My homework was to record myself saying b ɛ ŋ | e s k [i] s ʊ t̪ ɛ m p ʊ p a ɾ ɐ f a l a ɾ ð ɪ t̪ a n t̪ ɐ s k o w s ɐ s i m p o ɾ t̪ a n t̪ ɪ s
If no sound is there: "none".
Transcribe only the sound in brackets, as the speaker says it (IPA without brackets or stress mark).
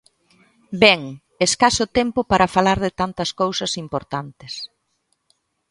a